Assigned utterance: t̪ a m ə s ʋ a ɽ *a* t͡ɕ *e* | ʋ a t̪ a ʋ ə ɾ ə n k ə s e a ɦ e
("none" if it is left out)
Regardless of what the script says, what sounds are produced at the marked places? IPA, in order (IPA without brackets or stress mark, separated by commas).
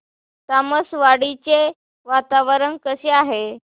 i, e